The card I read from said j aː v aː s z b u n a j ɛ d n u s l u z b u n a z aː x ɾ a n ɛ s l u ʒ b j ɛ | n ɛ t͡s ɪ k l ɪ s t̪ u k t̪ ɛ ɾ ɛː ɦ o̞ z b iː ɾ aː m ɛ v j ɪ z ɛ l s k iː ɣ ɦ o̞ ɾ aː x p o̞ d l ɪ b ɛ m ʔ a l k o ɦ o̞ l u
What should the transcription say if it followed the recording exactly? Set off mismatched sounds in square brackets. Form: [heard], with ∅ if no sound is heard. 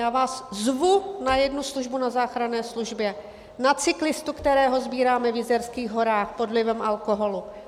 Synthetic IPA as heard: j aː v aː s z [v] u n a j ɛ d n u s l u [ʒ] b u n a z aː x ɾ a n [ɛː] s l u ʒ b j ɛ | n [a] t͡s ɪ k l ɪ s t̪ u k t̪ ɛ ɾ ɛː ɦ o̞ z b iː ɾ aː m ɛ v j ɪ z ɛ [ɾ] s k iː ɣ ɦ o̞ ɾ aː x p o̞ d l ɪ [v] ɛ m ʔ a l k o ɦ o̞ l u